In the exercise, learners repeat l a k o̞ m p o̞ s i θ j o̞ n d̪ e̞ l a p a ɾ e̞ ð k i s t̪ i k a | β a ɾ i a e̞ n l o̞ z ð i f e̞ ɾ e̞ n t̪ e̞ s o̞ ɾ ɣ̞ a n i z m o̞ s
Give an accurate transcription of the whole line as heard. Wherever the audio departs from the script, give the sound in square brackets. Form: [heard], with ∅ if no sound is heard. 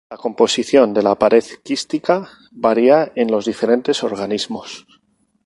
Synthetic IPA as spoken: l a k o̞ m p o̞ s i θ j o̞ n d̪ e̞ l a p a ɾ e̞ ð k i s t̪ i k a | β a ɾ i a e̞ n l o̞ z ð i f e̞ ɾ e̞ n t̪ e̞ s o̞ ɾ ɣ̞ a n i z m o̞ s